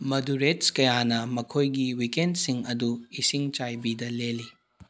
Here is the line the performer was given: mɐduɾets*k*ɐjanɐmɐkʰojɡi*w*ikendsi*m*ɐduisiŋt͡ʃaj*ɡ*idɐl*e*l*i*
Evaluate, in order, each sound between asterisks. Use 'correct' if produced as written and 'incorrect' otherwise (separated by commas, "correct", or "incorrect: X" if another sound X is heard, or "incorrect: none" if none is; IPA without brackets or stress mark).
correct, correct, incorrect: ŋ, incorrect: b, correct, correct